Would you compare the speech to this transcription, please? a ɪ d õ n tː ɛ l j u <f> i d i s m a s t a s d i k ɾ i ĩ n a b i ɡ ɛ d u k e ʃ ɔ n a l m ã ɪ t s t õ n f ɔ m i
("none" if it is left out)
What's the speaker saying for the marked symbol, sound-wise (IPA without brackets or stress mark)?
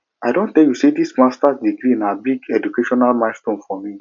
s